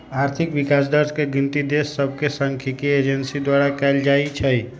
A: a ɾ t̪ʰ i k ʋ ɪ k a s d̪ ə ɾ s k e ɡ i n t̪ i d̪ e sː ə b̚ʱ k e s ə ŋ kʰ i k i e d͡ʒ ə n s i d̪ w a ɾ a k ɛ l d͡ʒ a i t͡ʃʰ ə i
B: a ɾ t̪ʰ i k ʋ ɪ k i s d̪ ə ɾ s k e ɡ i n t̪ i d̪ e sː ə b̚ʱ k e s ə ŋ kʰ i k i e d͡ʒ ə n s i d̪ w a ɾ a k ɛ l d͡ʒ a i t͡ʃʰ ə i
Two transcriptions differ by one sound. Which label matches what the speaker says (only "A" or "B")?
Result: A